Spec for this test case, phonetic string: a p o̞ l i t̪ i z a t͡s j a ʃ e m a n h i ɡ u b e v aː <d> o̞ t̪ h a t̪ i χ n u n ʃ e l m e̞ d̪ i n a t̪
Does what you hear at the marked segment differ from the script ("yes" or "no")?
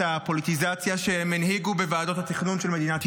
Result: no